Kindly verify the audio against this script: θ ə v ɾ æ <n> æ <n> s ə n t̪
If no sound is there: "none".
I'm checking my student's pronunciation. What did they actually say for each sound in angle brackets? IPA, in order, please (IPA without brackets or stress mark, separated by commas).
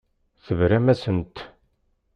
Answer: m, none